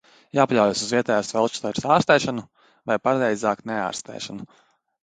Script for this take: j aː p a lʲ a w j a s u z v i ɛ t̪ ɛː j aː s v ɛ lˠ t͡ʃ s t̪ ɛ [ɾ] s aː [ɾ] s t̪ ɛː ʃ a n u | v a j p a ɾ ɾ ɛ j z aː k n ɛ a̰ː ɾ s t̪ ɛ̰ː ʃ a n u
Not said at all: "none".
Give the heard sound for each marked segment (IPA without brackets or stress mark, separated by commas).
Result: ɾ, ɾ